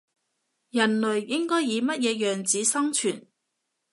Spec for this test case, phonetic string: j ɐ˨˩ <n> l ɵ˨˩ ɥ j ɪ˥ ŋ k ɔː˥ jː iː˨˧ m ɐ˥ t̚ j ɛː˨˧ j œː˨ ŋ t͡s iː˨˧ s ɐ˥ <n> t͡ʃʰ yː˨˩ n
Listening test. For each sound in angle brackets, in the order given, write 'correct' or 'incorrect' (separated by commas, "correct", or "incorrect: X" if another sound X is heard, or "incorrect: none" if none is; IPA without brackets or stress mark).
correct, incorrect: ŋ